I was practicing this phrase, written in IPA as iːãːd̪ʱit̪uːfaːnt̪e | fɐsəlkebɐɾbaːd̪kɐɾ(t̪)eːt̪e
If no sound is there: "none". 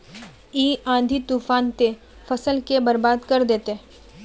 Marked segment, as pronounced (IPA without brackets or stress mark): d̪